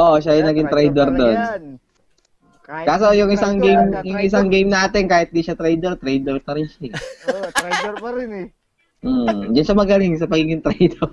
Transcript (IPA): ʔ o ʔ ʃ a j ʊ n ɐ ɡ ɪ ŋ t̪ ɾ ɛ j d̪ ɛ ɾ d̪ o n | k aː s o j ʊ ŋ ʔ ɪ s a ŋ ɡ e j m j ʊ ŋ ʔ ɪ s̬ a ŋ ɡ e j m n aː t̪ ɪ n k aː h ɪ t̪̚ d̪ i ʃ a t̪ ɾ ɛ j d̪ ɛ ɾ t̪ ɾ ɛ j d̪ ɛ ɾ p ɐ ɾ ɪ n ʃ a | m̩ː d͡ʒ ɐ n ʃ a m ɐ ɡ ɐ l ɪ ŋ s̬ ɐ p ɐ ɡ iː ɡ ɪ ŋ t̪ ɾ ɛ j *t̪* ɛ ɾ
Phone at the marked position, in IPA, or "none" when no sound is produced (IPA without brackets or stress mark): d̪